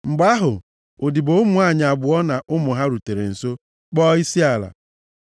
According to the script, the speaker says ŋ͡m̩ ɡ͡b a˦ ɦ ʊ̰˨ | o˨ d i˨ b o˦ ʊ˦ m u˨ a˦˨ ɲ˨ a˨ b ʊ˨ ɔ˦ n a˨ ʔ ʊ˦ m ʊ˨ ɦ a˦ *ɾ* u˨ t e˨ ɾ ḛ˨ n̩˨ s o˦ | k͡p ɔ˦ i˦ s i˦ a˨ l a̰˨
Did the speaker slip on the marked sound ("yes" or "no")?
no